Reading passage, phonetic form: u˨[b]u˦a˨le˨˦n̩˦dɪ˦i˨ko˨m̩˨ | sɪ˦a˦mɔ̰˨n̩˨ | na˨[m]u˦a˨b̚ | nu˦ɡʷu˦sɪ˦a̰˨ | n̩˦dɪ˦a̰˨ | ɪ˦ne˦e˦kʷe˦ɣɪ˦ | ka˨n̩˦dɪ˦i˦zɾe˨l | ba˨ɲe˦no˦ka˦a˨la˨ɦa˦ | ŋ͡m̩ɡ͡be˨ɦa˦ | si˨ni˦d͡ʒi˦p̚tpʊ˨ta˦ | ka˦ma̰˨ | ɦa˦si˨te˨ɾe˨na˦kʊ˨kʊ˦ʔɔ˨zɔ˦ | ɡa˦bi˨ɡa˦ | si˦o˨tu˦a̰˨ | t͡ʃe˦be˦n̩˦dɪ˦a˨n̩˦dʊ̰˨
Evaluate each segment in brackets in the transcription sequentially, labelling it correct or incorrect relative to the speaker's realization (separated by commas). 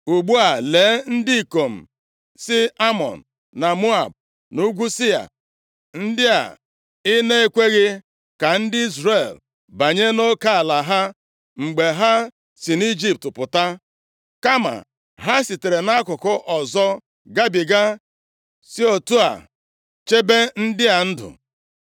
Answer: incorrect, correct